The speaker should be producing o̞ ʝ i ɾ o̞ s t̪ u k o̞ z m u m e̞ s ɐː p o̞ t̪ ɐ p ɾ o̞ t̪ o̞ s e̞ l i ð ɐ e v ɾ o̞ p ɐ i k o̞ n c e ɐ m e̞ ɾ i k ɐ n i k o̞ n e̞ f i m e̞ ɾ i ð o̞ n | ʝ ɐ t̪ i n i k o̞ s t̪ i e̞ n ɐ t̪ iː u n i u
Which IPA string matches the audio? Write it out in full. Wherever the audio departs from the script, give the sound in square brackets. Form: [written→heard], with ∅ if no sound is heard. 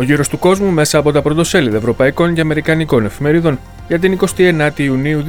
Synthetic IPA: o̞ ʝ i ɾ o̞ s t̪ u k o̞ z m u m e̞ s ɐː p o̞ t̪ ɐ p ɾ o̞ t̪ o̞ s e̞ l i ð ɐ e v ɾ o̞ p ɐ i k o̞ n c e ɐ m e̞ ɾ i k ɐ n i k o̞ n e̞ f i m e̞ ɾ i ð o̞ n | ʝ ɐ t̪ i n i k o̞ s t̪ i e̞ n ɐ t̪ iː u n i u